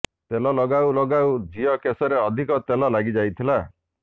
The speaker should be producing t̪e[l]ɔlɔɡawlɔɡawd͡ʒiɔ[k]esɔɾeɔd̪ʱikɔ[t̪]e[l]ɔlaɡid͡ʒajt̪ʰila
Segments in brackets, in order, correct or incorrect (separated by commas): correct, correct, correct, correct